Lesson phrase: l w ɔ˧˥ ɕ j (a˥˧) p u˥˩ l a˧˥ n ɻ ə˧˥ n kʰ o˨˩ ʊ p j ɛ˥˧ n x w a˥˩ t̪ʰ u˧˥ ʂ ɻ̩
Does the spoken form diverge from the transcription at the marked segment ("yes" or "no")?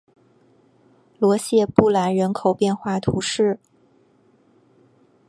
yes